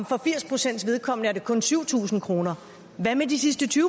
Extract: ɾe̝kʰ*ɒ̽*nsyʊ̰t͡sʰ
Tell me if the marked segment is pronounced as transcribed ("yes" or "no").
no